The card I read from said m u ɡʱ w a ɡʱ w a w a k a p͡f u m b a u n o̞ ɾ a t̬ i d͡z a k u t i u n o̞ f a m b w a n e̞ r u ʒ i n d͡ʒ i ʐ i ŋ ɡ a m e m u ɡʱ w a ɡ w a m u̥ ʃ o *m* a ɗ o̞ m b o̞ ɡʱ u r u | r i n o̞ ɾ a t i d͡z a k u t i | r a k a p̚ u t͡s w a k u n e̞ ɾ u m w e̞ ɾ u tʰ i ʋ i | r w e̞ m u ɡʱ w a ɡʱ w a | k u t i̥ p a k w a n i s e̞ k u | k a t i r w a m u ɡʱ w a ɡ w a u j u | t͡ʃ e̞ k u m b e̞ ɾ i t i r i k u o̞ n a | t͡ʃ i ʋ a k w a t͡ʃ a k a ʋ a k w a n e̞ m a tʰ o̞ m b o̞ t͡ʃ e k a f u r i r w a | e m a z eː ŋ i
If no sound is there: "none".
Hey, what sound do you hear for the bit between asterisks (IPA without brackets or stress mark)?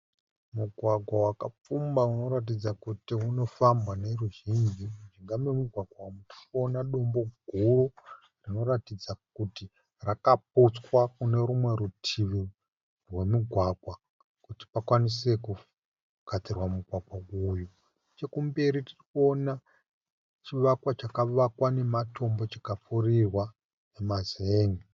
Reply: n